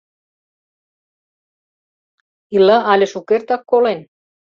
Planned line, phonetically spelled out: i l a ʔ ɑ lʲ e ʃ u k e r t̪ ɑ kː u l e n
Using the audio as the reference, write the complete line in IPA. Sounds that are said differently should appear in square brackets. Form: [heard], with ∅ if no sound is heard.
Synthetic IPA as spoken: i l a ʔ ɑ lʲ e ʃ u k e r t̪ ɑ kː [o] l e n